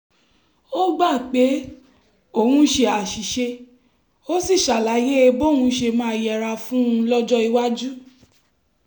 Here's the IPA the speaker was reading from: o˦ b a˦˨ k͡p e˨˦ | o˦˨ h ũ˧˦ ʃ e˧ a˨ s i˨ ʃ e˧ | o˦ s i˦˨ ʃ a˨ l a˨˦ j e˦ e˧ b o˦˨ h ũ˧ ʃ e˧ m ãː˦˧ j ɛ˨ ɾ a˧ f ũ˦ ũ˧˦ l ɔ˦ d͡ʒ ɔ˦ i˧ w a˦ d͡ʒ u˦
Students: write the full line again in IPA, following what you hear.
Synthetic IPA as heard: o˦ ɡ͡b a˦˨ k͡p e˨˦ | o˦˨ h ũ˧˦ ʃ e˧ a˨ ʃ i˨ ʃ e˧ | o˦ s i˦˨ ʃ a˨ l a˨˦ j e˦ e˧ b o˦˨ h ũ˧ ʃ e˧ m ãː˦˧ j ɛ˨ ɾ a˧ f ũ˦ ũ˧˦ l ɔ˦ d͡ʒ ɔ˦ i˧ w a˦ d͡ʒ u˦